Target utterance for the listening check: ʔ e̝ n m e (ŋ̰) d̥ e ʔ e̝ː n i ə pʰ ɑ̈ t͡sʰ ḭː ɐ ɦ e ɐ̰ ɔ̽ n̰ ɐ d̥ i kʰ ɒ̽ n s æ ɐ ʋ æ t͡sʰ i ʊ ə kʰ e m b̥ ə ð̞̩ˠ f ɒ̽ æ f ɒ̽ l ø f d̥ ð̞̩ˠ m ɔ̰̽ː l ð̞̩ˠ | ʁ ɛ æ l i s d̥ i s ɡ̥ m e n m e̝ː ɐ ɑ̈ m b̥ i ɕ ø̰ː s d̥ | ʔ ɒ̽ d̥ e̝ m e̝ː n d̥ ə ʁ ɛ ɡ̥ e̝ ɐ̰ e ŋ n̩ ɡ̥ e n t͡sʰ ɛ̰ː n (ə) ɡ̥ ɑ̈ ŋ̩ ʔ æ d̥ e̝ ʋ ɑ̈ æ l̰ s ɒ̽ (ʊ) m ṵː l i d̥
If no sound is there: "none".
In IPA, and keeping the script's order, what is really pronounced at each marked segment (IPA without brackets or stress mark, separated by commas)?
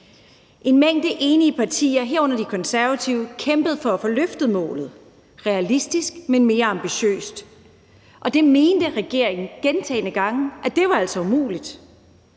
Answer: ŋ̰, ə, u